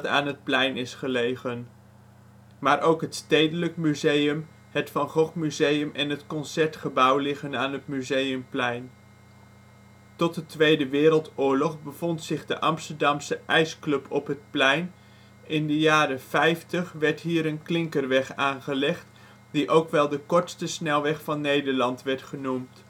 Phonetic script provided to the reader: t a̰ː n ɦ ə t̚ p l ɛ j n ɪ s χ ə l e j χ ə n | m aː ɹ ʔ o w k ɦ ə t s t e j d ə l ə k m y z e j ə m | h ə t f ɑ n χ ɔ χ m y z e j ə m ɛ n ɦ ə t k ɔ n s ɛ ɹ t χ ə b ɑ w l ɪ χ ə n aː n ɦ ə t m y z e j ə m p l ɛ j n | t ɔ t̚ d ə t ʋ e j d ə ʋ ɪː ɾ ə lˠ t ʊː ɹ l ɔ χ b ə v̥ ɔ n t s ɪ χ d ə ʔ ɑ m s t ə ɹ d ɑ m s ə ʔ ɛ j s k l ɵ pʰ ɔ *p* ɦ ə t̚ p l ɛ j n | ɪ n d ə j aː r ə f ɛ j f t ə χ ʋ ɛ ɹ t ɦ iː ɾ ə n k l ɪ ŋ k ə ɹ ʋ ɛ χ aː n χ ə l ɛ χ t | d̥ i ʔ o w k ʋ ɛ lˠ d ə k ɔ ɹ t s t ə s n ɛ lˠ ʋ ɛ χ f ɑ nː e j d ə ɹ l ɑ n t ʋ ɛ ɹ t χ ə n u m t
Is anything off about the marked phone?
no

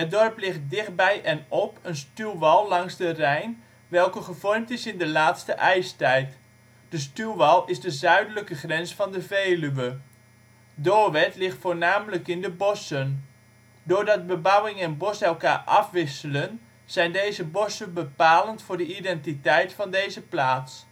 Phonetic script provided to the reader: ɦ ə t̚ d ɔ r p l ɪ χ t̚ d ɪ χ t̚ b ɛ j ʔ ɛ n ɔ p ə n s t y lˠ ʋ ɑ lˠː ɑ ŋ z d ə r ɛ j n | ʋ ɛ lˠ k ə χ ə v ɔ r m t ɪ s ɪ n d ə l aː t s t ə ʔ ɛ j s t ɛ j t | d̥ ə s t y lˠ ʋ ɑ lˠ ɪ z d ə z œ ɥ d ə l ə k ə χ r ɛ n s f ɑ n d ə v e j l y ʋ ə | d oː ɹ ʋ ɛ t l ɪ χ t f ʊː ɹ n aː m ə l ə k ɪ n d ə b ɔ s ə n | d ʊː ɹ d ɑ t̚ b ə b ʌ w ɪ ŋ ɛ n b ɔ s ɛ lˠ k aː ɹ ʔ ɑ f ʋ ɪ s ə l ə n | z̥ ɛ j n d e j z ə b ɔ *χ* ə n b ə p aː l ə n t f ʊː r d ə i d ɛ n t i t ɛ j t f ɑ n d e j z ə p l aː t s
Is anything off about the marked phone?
yes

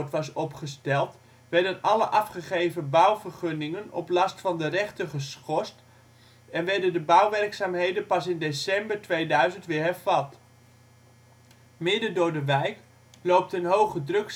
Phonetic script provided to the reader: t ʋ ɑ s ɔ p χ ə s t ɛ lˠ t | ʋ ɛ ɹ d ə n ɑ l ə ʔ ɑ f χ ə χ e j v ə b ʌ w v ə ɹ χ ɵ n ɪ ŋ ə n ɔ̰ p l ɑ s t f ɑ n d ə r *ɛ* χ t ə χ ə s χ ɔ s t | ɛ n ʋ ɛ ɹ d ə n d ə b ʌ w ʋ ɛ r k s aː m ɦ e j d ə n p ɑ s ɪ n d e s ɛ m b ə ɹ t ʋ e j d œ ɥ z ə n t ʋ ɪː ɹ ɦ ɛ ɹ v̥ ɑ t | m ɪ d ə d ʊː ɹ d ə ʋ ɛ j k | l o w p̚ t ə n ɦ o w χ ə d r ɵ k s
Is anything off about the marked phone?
no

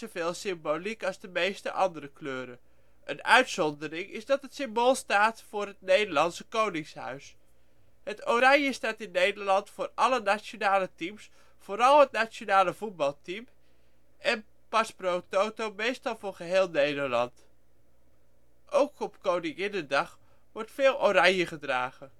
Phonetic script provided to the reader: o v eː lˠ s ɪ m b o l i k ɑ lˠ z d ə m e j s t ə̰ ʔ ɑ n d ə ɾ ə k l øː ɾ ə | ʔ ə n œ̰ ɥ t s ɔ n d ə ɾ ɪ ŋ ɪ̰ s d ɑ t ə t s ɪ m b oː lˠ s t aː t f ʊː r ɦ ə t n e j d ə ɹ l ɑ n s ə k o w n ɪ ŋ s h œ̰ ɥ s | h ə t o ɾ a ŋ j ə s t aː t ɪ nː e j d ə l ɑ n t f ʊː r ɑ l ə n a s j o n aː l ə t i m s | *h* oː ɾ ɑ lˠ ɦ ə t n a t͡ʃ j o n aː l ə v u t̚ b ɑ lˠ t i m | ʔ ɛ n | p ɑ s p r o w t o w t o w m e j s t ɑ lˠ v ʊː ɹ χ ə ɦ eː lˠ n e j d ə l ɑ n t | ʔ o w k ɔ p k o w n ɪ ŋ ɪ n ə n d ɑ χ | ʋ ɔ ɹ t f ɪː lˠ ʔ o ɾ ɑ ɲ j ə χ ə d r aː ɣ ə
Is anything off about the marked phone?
yes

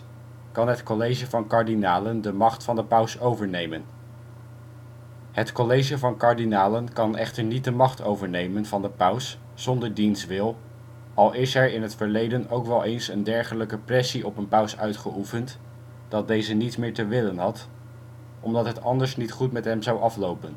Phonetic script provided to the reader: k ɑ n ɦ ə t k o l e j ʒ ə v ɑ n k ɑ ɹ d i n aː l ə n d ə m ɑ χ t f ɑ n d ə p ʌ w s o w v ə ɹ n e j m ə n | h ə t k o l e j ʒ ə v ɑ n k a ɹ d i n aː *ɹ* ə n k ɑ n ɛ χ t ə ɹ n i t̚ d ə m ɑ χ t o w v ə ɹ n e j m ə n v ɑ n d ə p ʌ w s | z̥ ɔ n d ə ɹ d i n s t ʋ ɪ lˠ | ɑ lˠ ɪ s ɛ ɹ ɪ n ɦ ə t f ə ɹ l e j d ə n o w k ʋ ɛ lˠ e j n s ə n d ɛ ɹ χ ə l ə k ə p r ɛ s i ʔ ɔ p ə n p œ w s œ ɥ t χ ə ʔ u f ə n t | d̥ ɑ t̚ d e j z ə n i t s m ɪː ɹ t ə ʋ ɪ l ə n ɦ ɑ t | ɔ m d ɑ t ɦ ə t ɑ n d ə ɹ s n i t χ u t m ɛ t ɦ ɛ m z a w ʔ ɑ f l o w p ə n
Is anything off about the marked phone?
yes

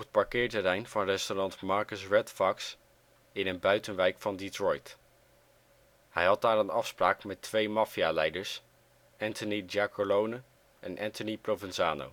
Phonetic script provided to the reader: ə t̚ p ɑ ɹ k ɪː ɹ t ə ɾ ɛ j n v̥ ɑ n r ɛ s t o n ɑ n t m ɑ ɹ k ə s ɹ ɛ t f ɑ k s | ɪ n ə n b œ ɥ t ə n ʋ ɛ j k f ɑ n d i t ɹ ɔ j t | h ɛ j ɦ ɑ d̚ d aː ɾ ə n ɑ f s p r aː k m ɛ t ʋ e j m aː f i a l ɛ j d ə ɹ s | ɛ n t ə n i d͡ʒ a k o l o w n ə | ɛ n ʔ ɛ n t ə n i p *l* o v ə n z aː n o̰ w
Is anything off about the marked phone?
yes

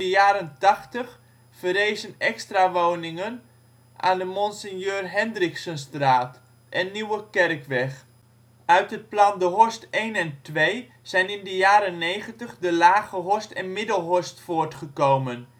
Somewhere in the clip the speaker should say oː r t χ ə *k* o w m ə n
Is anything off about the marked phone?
no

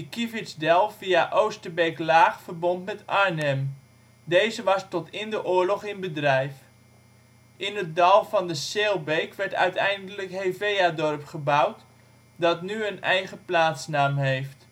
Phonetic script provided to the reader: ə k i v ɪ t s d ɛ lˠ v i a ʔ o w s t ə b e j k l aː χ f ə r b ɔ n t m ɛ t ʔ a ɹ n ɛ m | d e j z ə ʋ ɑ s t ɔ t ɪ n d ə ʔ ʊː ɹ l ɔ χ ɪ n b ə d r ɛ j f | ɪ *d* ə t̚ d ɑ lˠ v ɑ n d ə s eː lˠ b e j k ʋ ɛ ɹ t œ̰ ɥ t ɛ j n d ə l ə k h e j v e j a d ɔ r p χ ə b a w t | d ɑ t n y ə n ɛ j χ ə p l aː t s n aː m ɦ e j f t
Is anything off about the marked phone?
yes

